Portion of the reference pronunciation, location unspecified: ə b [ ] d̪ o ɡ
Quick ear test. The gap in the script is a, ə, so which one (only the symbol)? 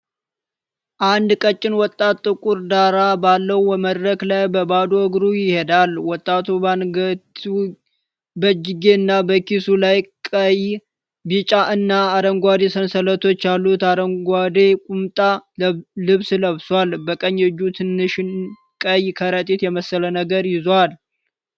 a